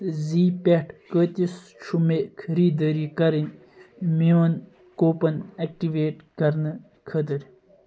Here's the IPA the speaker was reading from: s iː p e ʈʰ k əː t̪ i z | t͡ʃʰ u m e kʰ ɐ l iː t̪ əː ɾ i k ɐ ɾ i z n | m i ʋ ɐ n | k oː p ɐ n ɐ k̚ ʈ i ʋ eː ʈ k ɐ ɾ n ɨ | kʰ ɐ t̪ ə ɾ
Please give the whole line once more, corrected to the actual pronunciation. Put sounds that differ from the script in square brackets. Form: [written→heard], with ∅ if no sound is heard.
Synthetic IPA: [s→z] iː p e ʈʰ k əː t̪ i [z→s] | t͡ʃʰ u m e kʰ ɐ [l→ɾ] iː [t̪→d̪] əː ɾ i k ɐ ɾ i [z→∅] n | m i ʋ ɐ n | k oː p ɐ n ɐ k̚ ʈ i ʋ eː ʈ k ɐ ɾ n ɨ | kʰ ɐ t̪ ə ɾ